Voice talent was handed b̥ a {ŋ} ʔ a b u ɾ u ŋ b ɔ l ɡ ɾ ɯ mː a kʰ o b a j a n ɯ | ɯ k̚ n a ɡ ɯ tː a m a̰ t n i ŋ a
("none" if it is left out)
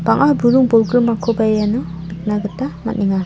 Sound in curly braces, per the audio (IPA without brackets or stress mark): ŋ